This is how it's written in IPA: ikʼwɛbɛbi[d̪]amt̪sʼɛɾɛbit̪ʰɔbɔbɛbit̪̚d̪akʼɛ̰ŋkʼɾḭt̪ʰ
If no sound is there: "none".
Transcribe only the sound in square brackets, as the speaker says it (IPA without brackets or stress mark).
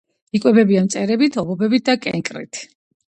none